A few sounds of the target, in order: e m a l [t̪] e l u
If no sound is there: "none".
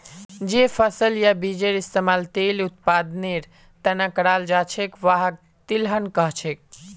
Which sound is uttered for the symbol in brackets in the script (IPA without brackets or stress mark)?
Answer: t̪